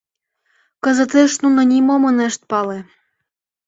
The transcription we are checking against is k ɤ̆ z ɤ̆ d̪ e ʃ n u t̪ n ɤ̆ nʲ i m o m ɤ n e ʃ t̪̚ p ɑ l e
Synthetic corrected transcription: k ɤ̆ z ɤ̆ t̪ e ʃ n u n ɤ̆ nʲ i m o m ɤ n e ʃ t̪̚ p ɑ l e